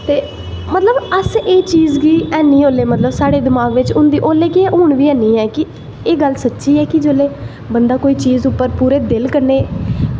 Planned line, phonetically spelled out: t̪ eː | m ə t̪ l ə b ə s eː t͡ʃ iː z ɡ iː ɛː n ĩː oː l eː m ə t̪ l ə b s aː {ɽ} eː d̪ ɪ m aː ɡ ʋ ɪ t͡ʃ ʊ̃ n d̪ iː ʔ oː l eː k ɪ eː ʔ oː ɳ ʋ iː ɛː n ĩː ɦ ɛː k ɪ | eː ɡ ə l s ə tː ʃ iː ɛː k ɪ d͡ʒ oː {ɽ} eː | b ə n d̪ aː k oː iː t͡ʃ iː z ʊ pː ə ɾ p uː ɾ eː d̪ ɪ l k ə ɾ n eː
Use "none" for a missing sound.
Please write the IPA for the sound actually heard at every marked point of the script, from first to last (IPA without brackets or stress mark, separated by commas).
ɽ, l